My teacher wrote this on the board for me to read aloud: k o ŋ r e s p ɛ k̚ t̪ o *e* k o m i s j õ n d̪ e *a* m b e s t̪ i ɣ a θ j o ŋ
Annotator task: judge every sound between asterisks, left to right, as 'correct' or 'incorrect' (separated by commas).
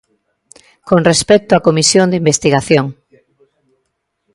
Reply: incorrect, incorrect